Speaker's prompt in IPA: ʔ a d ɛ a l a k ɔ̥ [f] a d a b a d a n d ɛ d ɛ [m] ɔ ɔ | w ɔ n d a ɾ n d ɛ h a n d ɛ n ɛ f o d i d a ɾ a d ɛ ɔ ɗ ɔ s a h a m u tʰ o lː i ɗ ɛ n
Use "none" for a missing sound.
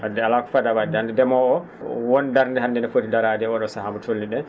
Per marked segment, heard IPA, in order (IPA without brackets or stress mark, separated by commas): f, m